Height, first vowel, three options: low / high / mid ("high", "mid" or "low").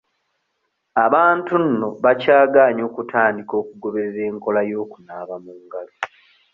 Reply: low